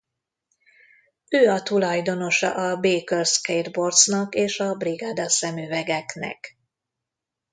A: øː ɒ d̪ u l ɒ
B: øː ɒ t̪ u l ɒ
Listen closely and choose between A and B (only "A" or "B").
B